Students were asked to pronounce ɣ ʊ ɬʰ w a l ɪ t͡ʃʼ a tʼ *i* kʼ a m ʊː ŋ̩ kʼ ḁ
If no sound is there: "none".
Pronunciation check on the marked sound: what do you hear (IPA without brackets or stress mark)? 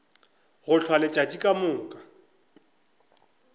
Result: i